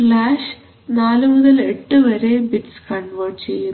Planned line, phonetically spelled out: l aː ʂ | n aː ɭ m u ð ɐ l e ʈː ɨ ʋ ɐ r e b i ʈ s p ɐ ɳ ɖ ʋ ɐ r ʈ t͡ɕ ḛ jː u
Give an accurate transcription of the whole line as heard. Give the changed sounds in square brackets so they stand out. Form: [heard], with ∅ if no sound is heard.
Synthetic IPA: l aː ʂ | n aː [l] m u ð ɐ l e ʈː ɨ ʋ ɐ [ɾ] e b i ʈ s [k] ɐ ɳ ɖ ʋ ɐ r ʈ t͡ɕ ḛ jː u